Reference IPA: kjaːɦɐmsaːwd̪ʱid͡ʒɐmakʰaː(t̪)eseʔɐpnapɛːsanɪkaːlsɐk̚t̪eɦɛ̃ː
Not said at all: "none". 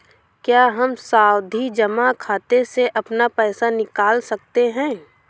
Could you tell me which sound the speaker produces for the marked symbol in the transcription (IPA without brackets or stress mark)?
t̪